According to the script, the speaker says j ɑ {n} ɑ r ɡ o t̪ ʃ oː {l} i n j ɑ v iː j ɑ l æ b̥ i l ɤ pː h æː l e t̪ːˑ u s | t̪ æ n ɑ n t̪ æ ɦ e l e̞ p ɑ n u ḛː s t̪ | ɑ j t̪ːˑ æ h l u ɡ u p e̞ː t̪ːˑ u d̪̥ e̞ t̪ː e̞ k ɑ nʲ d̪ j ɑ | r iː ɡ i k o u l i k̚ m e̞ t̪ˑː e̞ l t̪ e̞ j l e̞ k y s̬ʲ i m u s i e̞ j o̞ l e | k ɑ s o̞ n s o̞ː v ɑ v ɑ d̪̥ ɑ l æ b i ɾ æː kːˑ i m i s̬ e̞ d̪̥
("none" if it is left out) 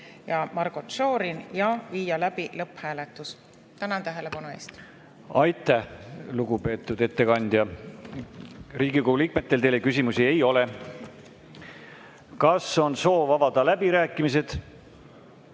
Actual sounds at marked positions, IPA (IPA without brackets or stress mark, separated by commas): m, ɾ